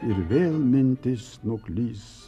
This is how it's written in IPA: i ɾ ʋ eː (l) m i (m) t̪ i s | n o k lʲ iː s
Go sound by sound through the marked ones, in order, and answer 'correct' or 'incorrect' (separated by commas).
correct, incorrect